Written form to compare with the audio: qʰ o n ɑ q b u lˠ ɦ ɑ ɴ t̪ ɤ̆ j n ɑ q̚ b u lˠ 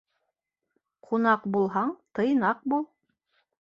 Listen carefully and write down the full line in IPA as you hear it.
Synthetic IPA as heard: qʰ u n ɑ q b u lˠ ɦ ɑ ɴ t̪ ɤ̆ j n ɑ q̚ b u lˠ